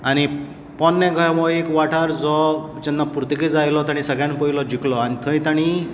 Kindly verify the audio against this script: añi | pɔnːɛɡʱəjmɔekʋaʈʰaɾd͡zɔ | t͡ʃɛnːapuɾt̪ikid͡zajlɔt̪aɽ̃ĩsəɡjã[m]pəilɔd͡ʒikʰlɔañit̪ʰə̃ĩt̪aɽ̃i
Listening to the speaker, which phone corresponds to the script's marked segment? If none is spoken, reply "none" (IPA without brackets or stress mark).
n